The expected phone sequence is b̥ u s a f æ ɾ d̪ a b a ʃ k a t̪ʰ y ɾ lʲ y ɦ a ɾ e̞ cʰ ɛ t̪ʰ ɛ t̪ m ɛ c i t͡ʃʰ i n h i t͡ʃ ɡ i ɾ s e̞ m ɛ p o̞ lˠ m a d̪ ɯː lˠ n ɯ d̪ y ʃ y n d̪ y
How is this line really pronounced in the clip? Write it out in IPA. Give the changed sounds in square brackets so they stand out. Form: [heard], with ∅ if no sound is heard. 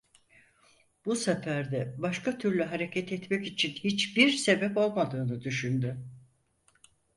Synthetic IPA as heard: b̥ u s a f æ ɾ d̪ [ɛ] b a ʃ k a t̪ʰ y ɾ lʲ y ɦ a ɾ e̞ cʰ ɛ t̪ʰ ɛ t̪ m ɛ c i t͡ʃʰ i n h i t͡ʃ [b] i ɾ s e̞ [b] ɛ p o̞ lˠ m a d̪ ɯː [∅] n ɯ d̪ y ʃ y n d̪ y

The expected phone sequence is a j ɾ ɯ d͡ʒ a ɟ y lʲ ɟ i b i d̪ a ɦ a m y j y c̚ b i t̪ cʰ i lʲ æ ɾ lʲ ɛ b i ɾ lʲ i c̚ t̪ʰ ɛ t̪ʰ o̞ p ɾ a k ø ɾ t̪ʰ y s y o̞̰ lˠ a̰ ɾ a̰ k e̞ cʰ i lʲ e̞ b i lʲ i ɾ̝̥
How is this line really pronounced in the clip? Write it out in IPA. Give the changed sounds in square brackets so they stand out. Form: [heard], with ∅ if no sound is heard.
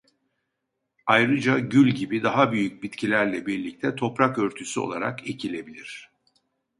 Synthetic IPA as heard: a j ɾ ɯ d͡ʒ a ɟ y lʲ ɟ i b i d̪ a ɦ a [b] y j y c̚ b i t̪ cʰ i lʲ æ ɾ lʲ ɛ b i ɾ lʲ i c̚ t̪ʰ ɛ t̪ʰ o̞ p ɾ a k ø ɾ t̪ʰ y s y o̞̰ lˠ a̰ ɾ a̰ k e̞ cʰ i lʲ e̞ b i lʲ i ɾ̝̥

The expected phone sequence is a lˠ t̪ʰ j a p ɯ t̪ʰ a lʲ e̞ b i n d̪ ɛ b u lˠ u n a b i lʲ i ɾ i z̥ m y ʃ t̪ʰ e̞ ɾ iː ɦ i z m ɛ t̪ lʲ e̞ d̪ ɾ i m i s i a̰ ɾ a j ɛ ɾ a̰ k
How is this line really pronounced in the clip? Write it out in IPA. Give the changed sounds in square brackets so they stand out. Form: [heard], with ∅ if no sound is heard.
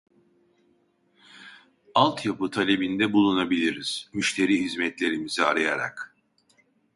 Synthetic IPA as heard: a lˠ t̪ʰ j a p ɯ t̪ʰ a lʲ e̞ b i n d̪ ɛ b u lˠ u n a b i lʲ i ɾ i z̥ m y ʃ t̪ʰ e̞ ɾ iː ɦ i z m ɛ t̪ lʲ e̞ [∅] ɾ i m i [z] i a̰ ɾ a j [a] ɾ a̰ k

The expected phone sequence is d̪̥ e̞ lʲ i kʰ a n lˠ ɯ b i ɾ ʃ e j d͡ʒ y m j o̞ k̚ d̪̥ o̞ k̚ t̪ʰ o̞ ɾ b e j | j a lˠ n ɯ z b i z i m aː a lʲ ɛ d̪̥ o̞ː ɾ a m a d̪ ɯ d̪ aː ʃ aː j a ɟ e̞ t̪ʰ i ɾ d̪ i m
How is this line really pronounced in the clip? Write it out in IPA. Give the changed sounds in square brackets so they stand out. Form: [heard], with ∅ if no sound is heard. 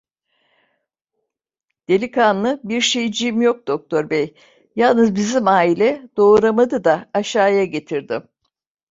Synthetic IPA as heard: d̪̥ e̞ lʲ i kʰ a n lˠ ɯ b i ɾ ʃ e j d͡ʒ [i] m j o̞ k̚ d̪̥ o̞ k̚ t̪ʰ o̞ ɾ b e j | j a lˠ n ɯ z b i z i m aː [i] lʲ ɛ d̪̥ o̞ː ɾ a m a d̪ ɯ d̪ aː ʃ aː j a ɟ e̞ t̪ʰ i ɾ d̪ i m

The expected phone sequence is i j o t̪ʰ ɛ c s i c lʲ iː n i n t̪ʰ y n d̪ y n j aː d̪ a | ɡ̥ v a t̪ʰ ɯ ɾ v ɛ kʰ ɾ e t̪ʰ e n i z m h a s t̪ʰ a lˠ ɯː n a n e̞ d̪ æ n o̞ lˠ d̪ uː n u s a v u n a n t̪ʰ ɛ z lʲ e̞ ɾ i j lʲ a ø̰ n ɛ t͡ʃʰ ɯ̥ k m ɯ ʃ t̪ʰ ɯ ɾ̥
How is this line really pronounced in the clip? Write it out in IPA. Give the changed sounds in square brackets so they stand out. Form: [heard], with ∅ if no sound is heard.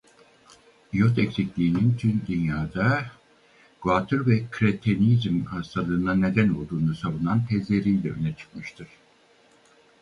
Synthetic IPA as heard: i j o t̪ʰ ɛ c s i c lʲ iː n i n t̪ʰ y n d̪ y n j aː d̪ a | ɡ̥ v a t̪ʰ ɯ ɾ v ɛ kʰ ɾ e t̪ʰ e n i z m h a s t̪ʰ a lˠ ɯː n a n e̞ d̪ æ n o̞ lˠ d̪ uː n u s a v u n a n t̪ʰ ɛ z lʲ e̞ ɾ i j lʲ [ɛ] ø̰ n ɛ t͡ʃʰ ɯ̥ k m ɯ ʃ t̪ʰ ɯ ɾ̥

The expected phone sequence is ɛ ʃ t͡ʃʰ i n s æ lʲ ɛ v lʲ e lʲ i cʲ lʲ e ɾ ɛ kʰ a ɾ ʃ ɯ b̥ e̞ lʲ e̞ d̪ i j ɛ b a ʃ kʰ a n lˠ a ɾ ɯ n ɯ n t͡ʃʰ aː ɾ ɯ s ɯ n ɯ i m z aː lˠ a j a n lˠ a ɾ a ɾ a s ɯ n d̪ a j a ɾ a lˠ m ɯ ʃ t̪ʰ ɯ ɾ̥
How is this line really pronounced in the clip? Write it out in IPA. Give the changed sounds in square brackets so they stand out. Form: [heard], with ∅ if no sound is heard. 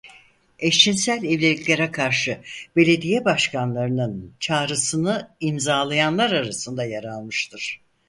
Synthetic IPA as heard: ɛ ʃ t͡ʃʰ i n s æ lʲ ɛ v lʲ e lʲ i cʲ lʲ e ɾ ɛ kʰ a ɾ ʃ ɯ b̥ e̞ lʲ e̞ d̪ i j ɛ b a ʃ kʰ a n lˠ a ɾ ɯ n ɯ n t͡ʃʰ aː ɾ ɯ s ɯ n ɯ i m z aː lˠ a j a n lˠ a ɾ a ɾ a s ɯ n d̪ a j a ɾ a lˠ m ɯ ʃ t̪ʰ ɯ ɾ̥

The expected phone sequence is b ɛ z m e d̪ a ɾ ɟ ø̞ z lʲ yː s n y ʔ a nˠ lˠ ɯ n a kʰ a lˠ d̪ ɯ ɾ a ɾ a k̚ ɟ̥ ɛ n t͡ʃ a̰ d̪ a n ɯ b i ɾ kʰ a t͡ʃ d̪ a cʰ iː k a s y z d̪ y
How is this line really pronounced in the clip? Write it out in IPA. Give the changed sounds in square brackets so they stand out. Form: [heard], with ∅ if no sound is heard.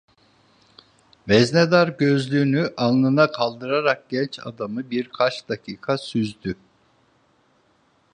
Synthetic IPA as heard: [v] ɛ z [n] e d̪ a ɾ ɟ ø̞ z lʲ yː [∅] n y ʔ a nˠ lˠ ɯ n a kʰ a lˠ d̪ ɯ ɾ a ɾ a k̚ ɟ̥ ɛ n t͡ʃ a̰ d̪ a [m] ɯ b i ɾ kʰ a t͡ʃ d̪ a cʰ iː [kʰ] a s y z d̪ y

